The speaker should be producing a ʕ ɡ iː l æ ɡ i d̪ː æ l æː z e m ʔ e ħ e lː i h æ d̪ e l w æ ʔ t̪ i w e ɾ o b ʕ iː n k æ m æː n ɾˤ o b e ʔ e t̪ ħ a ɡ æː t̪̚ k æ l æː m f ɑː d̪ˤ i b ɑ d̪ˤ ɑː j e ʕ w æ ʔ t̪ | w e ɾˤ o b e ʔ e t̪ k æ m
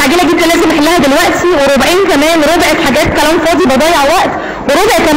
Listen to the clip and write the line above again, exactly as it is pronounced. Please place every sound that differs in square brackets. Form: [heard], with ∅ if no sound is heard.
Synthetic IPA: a ʕ ɡ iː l æ ɡ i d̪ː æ l æː z e m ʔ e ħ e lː [æ] h æ d̪ e l w æ ʔ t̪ i w e ɾ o b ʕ iː n k æ m æː n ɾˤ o b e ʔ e t̪ ħ a ɡ æː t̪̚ k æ l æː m f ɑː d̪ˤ i b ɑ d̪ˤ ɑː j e ʕ w æ ʔ t̪ | w e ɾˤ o b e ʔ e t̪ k æ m